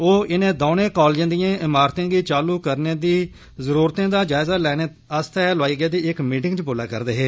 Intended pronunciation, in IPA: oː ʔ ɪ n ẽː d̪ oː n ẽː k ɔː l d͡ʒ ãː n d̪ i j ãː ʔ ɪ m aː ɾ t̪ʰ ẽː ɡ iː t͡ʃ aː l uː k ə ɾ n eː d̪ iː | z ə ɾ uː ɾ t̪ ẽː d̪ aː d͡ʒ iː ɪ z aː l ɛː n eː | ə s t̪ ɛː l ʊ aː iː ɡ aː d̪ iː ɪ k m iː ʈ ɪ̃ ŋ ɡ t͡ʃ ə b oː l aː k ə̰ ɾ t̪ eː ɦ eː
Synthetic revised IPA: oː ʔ ɪ n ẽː d̪ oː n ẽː k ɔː l d͡ʒ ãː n d̪ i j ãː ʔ ɪ m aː ɾ t̪ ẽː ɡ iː t͡ʃ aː l uː k ə ɾ n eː d̪ iː | z ə ɾ uː ɾ t̪ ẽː d̪ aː d͡ʒ aː ɪ z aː l ɛː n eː | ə s t̪ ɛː l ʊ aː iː ɡ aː d̪ iː ɪ k m iː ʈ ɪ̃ ŋ ɡ t͡ʃ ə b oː l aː k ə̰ ɾ d̪ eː ɦ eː

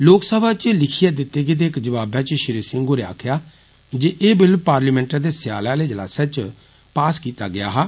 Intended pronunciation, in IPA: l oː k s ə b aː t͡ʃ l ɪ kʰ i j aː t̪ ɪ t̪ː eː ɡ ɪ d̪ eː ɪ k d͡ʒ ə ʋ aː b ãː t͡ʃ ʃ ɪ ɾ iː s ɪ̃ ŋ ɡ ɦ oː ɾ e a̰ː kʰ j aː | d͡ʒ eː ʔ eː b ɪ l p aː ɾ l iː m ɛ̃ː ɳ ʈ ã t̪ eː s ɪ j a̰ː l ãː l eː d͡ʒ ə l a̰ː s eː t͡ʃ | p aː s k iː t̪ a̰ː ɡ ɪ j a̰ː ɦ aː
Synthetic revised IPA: l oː k s ə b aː t͡ʃ l ɪ kʰ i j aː d̪ ɪ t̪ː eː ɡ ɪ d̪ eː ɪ k d͡ʒ ə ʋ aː b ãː t͡ʃ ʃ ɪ ɾ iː s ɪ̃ ŋ ɡ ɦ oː ɾ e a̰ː kʰ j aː | d͡ʒ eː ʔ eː b ɪ l p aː ɾ l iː m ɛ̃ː ɳ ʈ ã d̪ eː s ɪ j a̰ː l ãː l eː d͡ʒ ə l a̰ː s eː t͡ʃ | p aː s k iː t̪ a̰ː ɡ ɪ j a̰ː ɦ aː

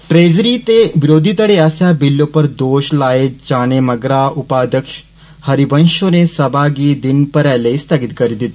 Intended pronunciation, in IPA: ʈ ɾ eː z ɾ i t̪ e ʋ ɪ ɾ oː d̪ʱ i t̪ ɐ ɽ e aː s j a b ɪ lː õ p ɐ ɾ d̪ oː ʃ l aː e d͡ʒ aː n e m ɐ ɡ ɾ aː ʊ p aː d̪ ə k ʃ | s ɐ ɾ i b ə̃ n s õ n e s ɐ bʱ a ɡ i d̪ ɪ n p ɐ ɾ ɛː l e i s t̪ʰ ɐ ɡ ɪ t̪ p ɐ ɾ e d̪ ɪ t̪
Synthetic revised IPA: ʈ ɾ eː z ɾ i t̪ e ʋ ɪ ɾ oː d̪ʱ i t̪ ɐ ɽ e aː s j a b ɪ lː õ p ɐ ɾ d̪ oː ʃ l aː e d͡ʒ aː n e m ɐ ɡ ɾ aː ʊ p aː d̪ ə k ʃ | h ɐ ɾ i b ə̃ n ʃ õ n e s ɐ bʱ a ɡ i d̪ ɪ n p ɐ ɾ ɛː l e i s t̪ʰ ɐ ɡ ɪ t̪ k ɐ ɾ i d̪ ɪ t̪

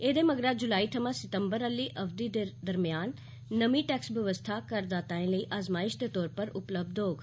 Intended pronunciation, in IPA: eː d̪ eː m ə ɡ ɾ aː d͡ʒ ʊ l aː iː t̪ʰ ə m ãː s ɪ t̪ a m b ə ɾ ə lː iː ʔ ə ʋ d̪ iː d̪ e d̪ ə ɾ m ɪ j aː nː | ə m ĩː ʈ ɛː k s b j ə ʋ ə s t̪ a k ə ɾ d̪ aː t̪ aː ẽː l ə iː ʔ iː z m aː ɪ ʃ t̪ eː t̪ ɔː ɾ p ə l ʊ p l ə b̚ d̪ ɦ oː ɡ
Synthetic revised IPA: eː d̪ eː m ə ɡ ɾ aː d͡ʒ ʊ l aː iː t̪ʰ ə m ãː s ɪ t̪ ə m b ə ɾ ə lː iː ʔ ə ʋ d̪ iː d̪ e d̪ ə ɾ m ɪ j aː nː | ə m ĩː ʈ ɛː k s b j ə ʋ ə s t̪ʰ a k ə ɾ d̪ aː t̪ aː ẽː l ə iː ʔ aː z m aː ɪ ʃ d̪ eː t̪ ɔː ɾ p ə ɾ ʊ p l ə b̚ d̪ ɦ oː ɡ

